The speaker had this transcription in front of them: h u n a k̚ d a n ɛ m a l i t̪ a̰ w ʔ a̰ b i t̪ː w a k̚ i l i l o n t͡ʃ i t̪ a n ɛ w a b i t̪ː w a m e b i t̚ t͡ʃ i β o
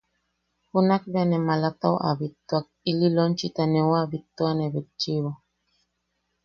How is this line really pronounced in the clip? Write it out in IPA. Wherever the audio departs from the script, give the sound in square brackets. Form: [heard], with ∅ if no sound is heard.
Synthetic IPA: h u n a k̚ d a n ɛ m a l [a] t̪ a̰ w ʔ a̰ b i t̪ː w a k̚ i l i l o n t͡ʃ i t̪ a n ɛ w a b i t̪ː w a [n] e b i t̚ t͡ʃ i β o